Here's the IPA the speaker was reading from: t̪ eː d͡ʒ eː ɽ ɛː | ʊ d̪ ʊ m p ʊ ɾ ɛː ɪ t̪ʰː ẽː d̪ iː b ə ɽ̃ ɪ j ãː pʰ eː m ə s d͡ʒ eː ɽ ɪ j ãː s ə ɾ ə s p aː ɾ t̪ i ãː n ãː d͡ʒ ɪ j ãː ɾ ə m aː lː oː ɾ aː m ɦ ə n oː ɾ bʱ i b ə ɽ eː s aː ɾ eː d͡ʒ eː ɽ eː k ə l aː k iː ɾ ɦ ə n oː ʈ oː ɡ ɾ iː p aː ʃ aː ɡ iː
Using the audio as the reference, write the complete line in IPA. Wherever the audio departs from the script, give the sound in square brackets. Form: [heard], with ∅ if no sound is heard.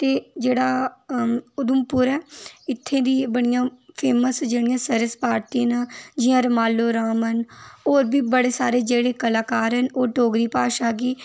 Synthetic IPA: t̪ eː d͡ʒ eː ɽ [aː] | ʊ d̪ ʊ m p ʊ ɾ ɛː ɪ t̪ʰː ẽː d̪ iː b ə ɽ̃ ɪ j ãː pʰ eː m ə s d͡ʒ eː ɽ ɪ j ãː s ə ɾ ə s p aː ɾ t̪ i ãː n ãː d͡ʒ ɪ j ãː ɾ ə m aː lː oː ɾ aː m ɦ ə n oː ɾ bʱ [iː] b ə ɽ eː s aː ɾ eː d͡ʒ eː ɽ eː k ə l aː k [aː] ɾ ɦ ə n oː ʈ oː ɡ ɾ iː p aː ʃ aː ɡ iː

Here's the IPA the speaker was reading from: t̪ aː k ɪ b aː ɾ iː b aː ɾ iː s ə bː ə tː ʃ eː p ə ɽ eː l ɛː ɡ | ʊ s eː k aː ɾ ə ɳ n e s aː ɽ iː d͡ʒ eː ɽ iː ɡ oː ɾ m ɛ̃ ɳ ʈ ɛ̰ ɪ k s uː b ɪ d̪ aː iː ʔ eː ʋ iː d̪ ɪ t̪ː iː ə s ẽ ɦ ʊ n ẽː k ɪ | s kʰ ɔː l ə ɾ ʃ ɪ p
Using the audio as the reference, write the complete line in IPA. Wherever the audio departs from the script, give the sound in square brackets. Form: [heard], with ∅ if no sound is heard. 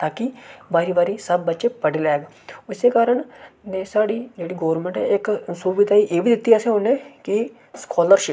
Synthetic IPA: t̪ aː k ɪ b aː ɾ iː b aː ɾ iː s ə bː ə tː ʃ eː p ə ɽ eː l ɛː ɡ | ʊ s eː k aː ɾ ə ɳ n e s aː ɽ iː d͡ʒ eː ɽ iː ɡ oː ɾ m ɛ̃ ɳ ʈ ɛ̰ ɪ k s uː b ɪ d̪ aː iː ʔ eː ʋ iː d̪ ɪ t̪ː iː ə s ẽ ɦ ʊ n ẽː k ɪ | s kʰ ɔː l ə ɾ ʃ ɪ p

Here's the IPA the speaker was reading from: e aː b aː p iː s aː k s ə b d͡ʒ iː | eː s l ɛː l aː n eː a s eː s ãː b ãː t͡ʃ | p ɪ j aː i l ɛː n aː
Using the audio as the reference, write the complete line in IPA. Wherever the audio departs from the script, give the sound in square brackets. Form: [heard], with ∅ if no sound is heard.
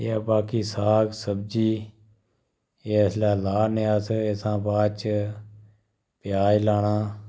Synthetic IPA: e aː b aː [k] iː s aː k s ə b d͡ʒ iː | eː s l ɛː l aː n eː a s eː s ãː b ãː t͡ʃ | p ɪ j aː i l [aː] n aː

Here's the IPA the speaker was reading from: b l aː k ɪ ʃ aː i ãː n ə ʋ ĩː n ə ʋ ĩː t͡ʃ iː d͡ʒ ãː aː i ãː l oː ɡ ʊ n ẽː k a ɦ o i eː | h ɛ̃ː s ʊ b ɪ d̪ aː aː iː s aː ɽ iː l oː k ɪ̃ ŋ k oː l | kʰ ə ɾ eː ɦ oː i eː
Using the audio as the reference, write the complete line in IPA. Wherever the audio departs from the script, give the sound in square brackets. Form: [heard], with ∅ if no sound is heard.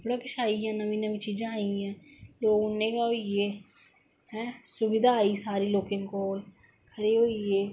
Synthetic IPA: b [ɽ] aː k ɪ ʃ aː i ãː n ə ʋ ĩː n ə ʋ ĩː t͡ʃ iː d͡ʒ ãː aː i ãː l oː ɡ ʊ n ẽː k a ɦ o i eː | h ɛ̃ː s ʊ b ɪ d̪ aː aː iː s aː [ɾ] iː l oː k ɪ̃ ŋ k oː l | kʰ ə ɾ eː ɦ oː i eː

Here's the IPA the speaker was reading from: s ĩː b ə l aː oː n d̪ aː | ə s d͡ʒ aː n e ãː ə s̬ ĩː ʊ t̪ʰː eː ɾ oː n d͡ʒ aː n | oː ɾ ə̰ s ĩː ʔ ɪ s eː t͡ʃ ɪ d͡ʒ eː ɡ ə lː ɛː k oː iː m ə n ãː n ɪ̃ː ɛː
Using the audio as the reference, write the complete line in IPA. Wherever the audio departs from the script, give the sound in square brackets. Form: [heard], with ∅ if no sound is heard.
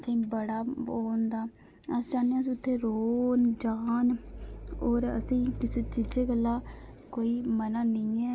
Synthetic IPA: s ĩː b ə [ɽ] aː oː n d̪ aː | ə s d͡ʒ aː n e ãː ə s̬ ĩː ʊ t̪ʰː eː ɾ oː n d͡ʒ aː n | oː ɾ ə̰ s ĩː [k] ɪ s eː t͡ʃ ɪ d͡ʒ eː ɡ ə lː [aː] k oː iː m ə n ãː n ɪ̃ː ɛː

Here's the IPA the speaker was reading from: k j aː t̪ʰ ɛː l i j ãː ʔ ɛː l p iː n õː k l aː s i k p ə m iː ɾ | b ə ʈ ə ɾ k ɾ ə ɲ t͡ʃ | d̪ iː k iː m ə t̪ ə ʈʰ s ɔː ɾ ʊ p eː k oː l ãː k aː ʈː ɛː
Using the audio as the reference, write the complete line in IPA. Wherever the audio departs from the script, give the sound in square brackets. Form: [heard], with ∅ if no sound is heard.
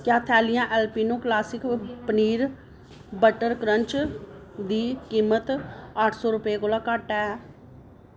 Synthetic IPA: k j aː t̪ʰ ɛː l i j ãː ʔ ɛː l p iː n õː k l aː s [ɪ] k p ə [n] iː ɾ | b ə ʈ ə ɾ k ɾ ə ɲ t͡ʃ | d̪ iː k iː m ə t̪ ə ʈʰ s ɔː ɾ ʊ p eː k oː l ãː k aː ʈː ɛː

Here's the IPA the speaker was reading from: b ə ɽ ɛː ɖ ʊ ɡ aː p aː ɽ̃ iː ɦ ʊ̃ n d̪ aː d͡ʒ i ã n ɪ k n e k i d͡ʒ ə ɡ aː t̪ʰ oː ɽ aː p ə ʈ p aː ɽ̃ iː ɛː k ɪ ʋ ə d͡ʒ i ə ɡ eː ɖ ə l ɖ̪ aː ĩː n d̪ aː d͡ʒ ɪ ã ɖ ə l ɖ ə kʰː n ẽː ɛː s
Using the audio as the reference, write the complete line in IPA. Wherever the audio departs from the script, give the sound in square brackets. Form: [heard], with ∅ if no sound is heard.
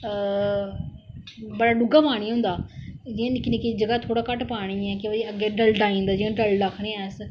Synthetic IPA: b ə ɽ [aː] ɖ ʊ ɡ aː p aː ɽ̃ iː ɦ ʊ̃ n d̪ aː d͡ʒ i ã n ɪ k n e k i d͡ʒ ə ɡ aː t̪ʰ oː ɽ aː [k] ə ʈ p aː ɽ̃ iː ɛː k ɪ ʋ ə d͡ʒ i ə ɡ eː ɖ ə l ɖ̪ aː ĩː n d̪ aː d͡ʒ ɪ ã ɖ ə l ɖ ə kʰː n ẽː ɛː s

